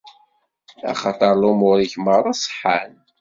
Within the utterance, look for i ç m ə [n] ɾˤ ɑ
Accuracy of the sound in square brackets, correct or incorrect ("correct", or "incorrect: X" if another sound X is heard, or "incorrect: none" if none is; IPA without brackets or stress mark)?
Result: incorrect: none